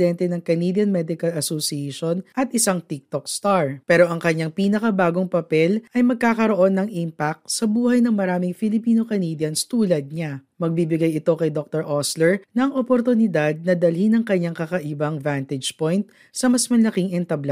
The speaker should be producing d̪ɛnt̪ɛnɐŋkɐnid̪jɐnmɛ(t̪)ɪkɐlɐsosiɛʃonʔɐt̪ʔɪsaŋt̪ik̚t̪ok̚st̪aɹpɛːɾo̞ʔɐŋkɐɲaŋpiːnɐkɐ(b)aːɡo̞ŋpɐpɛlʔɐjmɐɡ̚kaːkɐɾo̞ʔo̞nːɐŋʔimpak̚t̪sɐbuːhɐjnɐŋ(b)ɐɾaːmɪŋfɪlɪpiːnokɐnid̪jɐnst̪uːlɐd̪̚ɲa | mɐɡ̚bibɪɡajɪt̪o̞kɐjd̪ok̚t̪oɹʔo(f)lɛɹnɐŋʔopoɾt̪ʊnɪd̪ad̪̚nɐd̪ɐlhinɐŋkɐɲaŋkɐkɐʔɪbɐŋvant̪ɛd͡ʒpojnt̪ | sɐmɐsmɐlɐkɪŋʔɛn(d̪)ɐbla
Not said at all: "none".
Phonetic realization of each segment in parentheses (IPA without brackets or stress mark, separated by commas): d̪, b, m, s, t̪